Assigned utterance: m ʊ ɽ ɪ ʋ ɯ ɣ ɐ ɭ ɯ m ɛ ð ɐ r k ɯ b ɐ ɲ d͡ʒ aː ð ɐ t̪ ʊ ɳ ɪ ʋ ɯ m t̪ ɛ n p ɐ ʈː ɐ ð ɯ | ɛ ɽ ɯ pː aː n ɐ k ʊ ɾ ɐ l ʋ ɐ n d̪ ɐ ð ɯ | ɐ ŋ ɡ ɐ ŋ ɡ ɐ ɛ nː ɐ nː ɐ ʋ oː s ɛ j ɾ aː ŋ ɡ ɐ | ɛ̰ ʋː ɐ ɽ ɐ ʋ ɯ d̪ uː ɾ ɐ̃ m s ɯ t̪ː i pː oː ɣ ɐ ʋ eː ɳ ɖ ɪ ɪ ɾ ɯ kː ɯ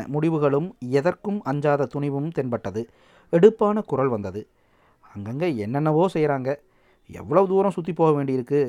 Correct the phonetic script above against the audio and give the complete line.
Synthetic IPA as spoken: m ʊ ɽ ɪ ʋ ɯ ɣ ɐ ɭ ɯ m ɛ ð ɐ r k ɯ m ɐ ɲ d͡ʒ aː ð ɐ t̪ ʊ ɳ ɪ ʋ ɯ m t̪ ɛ n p ɐ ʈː ɐ ð ɯ | ɛ ɽ ɯ pː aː n ɐ k ʊ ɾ ɐ l ʋ ɐ n d̪ ɐ ð ɯ | ɐ ŋ ɡ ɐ ŋ ɡ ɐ ɛ nː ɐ nː ɐ ʋ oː s ɛ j ɾ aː ŋ ɡ ɐ | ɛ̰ ʋː ɐ ɭ ɐ ʋ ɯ d̪ uː ɾ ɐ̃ m s ʊ t̪ː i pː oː ɣ ɐ ʋ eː ɳ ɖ ɪ ɪ ɾ ɯ kː ɯ